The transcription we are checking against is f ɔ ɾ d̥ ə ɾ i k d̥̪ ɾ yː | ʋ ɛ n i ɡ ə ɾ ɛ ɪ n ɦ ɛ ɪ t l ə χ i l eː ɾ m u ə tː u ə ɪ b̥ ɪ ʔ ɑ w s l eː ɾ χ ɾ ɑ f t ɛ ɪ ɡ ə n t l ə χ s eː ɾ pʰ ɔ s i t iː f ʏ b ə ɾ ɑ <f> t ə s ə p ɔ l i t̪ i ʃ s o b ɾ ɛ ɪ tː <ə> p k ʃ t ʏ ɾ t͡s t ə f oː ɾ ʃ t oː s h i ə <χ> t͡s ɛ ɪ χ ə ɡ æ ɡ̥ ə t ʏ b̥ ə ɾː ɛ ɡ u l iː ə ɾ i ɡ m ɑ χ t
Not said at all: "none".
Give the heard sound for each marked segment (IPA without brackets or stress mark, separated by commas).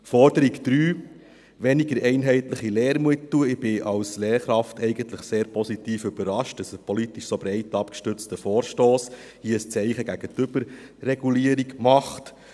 ʃ, ɑ, s